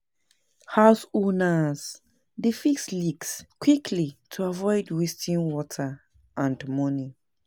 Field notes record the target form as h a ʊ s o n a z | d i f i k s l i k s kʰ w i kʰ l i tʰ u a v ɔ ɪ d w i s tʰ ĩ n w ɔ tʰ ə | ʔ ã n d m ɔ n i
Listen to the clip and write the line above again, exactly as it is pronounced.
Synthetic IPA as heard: h a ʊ s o n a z | d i f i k s l i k s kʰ w i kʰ l i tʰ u a v ɔ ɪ d w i s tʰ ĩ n w ɔ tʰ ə | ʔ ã n d m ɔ n i